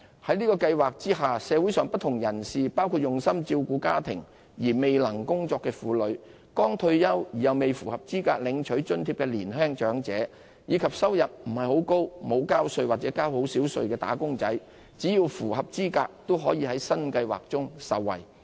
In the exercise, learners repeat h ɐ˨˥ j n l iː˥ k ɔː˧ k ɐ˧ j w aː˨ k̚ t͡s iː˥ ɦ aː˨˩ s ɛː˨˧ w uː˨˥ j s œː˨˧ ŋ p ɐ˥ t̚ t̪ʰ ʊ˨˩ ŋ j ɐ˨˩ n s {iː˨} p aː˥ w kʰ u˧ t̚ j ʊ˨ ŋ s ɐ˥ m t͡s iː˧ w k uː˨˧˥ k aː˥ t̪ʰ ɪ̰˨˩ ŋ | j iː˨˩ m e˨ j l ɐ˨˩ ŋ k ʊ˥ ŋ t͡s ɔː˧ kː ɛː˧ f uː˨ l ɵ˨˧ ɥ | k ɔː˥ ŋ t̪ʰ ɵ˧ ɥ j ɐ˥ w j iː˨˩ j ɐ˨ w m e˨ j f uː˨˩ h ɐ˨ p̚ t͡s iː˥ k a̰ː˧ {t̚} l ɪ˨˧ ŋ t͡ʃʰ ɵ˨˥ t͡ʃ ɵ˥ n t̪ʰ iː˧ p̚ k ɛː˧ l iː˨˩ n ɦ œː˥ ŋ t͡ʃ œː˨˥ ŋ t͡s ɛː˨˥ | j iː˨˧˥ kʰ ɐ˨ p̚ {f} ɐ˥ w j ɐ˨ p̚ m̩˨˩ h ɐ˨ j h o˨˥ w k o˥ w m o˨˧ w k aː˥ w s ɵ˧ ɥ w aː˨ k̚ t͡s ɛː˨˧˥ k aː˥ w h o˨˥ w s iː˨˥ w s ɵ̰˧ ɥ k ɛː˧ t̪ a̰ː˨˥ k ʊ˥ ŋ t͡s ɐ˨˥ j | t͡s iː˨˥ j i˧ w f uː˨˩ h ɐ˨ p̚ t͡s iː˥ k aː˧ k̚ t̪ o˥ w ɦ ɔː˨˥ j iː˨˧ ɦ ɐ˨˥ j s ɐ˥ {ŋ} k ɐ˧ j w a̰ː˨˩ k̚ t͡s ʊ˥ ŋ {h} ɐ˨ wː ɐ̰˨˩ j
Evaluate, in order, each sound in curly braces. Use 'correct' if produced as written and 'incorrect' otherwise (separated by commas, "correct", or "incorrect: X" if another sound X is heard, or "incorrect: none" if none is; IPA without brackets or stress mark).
correct, incorrect: k̚, incorrect: s, incorrect: n, incorrect: s